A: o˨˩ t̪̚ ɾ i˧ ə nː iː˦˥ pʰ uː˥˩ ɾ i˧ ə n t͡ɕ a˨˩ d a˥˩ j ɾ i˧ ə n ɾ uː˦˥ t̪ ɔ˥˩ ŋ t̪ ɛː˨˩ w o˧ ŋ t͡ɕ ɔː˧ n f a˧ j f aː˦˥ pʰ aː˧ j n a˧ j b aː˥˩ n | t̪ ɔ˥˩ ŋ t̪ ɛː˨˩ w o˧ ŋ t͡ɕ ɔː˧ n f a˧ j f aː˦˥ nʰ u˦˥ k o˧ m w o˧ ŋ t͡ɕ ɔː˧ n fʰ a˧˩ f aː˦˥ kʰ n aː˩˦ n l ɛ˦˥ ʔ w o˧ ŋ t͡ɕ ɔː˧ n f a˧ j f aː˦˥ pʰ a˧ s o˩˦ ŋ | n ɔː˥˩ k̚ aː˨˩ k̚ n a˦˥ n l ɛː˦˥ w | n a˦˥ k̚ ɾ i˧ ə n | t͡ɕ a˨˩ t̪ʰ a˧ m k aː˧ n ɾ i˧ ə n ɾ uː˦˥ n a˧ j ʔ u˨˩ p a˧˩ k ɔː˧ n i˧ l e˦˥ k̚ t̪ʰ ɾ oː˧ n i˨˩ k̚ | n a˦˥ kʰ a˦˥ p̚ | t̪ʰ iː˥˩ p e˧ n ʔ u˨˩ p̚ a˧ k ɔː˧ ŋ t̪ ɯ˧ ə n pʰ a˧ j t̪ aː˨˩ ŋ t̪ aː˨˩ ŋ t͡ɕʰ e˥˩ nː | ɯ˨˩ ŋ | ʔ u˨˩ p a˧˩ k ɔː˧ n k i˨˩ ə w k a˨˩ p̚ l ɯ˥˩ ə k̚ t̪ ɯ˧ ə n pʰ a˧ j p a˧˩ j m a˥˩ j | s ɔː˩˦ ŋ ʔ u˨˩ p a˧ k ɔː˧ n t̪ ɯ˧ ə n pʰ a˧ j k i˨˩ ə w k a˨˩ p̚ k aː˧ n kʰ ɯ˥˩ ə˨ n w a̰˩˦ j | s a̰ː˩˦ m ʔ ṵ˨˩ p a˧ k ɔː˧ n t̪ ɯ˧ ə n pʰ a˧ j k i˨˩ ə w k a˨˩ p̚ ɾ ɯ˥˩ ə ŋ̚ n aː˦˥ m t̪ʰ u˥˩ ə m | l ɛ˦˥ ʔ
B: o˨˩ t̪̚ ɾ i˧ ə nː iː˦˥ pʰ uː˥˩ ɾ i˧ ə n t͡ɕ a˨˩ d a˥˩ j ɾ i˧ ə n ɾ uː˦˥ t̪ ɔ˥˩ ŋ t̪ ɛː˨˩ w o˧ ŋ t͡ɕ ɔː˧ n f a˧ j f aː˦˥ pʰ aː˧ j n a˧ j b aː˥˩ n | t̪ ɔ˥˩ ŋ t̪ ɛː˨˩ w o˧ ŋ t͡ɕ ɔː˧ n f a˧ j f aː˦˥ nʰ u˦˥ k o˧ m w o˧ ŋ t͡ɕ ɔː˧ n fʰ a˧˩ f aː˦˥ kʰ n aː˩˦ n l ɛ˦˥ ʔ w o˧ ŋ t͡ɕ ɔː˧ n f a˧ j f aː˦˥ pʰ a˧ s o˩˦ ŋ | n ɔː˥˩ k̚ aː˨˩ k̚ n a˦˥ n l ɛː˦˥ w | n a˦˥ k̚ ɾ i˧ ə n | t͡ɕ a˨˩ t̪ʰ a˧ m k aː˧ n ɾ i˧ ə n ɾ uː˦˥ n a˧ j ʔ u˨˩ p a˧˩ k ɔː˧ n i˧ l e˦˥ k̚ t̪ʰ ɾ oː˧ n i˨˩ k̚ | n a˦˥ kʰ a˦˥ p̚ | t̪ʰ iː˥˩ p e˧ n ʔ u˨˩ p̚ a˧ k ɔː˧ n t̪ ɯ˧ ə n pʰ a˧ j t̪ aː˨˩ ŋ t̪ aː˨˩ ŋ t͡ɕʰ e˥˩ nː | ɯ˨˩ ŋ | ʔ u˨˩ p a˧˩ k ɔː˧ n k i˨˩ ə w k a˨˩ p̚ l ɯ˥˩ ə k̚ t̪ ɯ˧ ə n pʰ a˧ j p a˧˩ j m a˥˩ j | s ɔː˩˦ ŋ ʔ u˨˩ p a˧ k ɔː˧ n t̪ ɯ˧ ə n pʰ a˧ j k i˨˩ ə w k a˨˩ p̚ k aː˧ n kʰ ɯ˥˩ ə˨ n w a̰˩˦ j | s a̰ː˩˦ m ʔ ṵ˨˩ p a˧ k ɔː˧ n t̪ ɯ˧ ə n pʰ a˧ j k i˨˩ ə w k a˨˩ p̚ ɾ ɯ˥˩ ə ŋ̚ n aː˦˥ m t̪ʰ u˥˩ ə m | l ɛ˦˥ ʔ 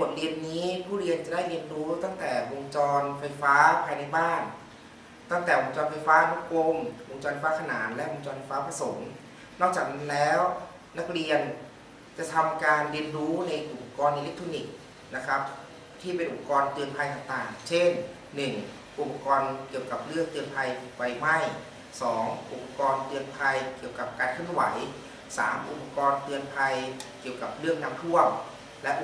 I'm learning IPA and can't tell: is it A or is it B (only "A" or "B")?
B